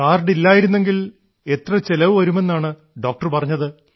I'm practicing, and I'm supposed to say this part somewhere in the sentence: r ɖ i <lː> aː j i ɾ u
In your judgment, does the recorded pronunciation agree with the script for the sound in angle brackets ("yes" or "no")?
yes